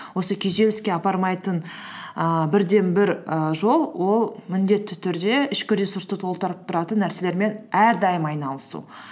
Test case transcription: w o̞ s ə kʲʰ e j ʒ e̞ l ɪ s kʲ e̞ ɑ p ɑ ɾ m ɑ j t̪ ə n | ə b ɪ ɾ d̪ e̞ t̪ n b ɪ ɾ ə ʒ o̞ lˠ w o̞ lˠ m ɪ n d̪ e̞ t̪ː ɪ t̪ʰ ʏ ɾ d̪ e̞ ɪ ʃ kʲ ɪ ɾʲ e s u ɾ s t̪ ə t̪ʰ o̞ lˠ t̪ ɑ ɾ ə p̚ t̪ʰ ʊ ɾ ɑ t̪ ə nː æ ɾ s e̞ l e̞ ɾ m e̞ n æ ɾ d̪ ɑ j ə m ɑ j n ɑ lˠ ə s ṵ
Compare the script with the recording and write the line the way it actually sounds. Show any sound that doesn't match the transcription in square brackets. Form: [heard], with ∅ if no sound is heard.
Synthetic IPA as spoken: w o̞ s ə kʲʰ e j ʒ e̞ l ɪ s kʲ e̞ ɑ p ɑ ɾ m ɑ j t̪ ə n | ə b ɪ ɾ d̪ e̞ [∅] n b ɪ ɾ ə ʒ o̞ lˠ w o̞ lˠ m ɪ n d̪ e̞ t̪ː ɪ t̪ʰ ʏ ɾ d̪ e̞ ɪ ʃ kʲ ɪ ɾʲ e s u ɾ s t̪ ə t̪ʰ o̞ lˠ t̪ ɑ ɾ ə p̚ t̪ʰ ʊ ɾ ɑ t̪ ə nː æ ɾ s e̞ l e̞ ɾ m e̞ n æ ɾ d̪ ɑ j ə m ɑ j n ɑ lˠ ə s ṵ